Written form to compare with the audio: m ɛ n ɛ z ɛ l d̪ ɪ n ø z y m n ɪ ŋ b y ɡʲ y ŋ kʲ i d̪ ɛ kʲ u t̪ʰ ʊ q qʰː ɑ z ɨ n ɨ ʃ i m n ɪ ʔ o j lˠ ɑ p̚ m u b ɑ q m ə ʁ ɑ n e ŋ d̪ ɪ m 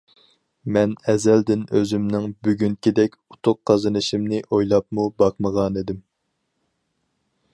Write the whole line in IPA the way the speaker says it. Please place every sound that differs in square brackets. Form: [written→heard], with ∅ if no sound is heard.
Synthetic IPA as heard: m ɛ n ɛ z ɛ l d̪ ɪ n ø z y m n ɪ ŋ b y ɡʲ y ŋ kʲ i d̪ ɛ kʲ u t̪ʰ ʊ q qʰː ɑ z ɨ n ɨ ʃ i m n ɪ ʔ o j lˠ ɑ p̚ m u b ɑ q m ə ʁ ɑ n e [ŋ→∅] d̪ ɪ m